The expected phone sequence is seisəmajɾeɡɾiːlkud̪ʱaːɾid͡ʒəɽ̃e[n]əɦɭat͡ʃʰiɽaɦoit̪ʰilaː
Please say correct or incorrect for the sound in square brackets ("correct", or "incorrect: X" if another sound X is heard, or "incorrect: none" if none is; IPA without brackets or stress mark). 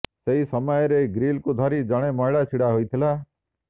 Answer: incorrect: m